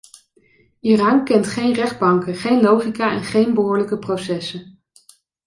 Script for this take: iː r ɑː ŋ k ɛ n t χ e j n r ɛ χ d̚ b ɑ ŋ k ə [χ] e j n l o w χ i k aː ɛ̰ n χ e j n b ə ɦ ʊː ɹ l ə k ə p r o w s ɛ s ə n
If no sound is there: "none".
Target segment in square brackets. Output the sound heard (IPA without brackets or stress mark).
χ